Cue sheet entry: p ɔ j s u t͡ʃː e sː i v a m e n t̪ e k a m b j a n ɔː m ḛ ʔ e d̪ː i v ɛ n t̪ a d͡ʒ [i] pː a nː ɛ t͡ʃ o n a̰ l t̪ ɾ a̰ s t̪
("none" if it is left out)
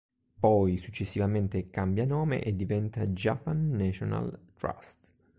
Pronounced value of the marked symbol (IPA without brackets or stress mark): a